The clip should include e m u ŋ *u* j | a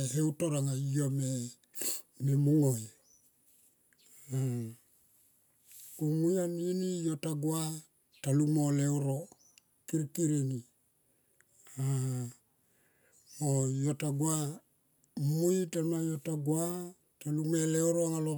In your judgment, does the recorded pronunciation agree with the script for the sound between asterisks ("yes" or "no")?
no